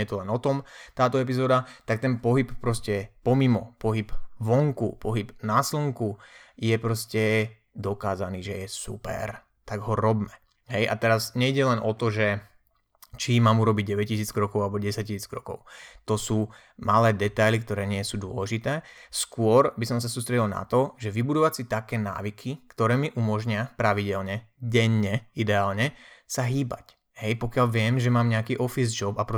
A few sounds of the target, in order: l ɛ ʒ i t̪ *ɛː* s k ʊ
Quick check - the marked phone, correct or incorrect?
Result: correct